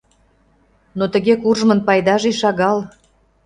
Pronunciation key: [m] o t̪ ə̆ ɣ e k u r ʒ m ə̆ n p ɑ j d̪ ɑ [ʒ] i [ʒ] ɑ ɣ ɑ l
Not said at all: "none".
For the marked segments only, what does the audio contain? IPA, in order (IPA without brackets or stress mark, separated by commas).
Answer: n, ʒ, ʃ